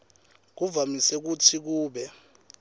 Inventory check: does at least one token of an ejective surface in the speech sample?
no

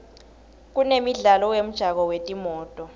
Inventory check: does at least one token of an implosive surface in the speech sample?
no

